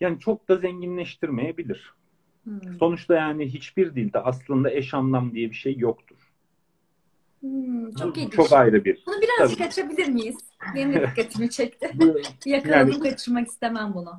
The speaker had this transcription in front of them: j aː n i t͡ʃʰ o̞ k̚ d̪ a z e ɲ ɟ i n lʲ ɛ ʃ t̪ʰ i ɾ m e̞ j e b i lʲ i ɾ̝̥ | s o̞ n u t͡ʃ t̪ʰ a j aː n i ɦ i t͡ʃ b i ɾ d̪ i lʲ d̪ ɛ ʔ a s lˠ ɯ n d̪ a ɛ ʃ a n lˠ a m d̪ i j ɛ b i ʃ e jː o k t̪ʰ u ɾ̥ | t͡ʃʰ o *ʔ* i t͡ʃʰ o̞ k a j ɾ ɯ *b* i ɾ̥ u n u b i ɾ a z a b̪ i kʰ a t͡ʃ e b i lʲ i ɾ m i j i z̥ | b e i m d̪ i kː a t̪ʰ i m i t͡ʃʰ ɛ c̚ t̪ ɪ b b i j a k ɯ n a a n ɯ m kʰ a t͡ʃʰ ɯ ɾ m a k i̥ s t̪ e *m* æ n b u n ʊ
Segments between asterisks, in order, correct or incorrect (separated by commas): incorrect, correct, correct